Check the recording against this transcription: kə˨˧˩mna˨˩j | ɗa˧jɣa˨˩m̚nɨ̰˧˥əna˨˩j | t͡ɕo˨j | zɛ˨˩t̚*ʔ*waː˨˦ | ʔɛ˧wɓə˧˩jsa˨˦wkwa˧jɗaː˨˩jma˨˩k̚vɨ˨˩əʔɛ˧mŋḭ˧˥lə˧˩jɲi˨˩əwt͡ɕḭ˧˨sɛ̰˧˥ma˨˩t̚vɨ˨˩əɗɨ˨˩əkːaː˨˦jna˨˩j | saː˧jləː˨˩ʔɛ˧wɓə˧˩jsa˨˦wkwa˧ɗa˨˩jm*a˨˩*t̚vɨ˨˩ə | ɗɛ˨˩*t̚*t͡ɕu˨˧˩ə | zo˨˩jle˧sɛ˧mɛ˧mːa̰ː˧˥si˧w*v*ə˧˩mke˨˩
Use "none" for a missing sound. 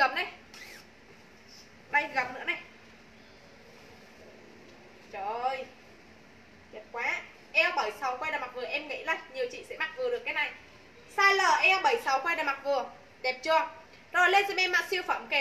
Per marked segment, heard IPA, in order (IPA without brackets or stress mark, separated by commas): k, a˨˩, p̚, f